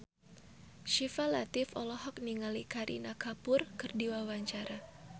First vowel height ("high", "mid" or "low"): high